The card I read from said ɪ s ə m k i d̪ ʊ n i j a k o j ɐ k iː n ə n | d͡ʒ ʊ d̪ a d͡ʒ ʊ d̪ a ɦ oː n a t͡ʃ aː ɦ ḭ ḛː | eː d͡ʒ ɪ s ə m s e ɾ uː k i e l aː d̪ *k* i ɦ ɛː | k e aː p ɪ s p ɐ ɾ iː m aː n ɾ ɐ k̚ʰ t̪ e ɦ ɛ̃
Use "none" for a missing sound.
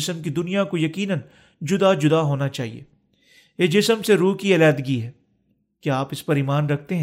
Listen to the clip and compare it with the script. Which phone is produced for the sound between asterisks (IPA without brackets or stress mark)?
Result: ɡ